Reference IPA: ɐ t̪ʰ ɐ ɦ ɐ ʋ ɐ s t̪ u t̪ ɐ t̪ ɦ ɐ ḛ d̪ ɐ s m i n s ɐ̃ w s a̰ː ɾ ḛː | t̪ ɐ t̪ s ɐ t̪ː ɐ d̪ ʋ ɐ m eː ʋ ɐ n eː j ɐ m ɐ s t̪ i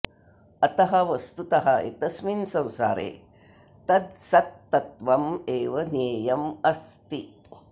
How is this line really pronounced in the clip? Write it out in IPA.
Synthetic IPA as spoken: ɐ t̪ ɐ ɦ ɐ ʋ ɐ s t̪ u t̪ ɐ ɦ ɐ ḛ t̪ ɐ s m i n s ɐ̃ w s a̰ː ɾ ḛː | t̪ ɐ d̪ s ɐ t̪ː ɐ t̪ ʋ ɐ m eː ʋ ɐ n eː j ɐ m ɐ s t̪ i